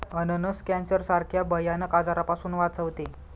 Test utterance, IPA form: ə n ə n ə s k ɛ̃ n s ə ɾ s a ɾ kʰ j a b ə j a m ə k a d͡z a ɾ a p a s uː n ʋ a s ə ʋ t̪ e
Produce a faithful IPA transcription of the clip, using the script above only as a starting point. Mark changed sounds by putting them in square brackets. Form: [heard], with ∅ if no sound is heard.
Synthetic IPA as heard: ə n ə n ə s k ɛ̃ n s ə ɾ s a ɾ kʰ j a b ə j a [n] ə k a d͡z a ɾ a p a s uː n ʋ a [t͡s] ə ʋ t̪ e